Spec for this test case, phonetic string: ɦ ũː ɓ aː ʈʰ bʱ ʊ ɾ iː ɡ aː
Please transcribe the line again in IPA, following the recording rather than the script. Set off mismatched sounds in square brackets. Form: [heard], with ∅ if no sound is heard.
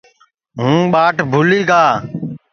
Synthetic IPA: ɦ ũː ɓ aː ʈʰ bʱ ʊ [l] iː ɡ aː